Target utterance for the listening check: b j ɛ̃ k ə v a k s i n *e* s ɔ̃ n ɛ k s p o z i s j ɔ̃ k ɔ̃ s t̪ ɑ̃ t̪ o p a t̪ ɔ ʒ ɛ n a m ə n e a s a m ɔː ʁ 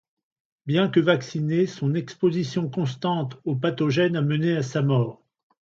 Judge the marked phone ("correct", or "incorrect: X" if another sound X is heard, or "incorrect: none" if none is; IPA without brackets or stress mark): correct